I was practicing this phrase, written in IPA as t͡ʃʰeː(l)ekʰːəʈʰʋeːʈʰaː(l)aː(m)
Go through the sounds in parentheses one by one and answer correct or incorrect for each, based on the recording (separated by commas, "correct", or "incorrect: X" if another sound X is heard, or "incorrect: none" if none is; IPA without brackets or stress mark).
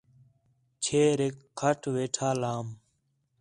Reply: incorrect: ɾ, correct, correct